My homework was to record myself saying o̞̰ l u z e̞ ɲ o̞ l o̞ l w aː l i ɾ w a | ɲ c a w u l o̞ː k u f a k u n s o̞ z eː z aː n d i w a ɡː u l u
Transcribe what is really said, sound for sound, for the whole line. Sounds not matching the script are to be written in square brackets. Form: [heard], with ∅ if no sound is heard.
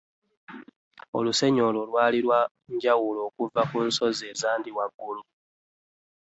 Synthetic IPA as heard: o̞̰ l u [s] e̞ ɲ o̞ l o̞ l w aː l i ɾ w a | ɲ [ɟ] a w u l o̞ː k u [v] a k u n s o̞ z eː z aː n d i w a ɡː u l u